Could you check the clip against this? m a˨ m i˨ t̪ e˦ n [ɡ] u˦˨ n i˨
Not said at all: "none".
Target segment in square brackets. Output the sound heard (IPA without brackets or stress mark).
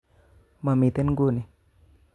ɡ